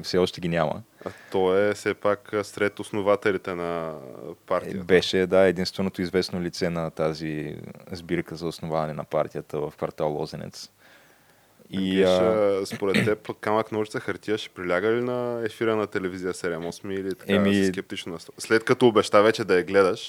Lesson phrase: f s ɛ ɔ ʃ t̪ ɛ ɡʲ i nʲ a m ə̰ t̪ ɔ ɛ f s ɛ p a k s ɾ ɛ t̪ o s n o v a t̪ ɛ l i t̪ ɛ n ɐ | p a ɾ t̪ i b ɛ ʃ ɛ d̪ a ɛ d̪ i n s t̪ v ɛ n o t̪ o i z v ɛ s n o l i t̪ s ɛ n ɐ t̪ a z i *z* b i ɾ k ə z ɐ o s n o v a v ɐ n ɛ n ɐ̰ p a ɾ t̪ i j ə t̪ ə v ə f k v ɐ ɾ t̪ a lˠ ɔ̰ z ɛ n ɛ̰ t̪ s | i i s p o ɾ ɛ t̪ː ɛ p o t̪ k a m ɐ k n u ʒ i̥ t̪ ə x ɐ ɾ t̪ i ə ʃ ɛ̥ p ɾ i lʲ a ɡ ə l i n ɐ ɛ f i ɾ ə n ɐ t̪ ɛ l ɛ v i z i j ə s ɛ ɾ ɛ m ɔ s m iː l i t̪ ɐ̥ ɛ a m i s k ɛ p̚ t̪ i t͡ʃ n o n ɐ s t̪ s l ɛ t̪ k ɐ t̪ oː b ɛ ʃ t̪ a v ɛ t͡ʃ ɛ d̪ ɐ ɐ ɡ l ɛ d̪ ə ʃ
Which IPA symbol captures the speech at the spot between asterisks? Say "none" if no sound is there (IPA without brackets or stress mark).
z